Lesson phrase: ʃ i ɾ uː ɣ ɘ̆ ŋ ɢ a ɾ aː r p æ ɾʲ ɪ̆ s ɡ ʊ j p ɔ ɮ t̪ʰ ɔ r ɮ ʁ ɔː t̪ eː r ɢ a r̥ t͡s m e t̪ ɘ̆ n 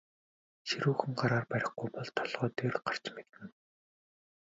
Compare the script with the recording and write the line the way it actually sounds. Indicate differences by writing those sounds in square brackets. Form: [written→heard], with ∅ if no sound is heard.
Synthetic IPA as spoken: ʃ i ɾ uː [ɣ→x] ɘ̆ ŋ ɢ a ɾ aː r p æ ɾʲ ɪ̆ [s→χ] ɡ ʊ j p ɔ ɮ t̪ʰ ɔ [r→∅] ɮ ʁ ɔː t̪ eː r ɢ a r̥ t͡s m e t̪ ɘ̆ n